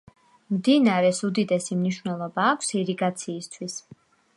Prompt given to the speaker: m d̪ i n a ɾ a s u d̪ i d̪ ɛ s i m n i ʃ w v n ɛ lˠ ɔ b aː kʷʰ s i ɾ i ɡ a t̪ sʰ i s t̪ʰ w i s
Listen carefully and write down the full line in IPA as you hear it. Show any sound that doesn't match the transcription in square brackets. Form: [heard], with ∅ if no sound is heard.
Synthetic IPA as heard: m d̪ i n a ɾ [ɛ] s u d̪ i d̪ ɛ s i m n i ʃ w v n ɛ lˠ ɔ b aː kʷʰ s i ɾ i ɡ a t̪ sʰ [iː] s t̪ʰ w i s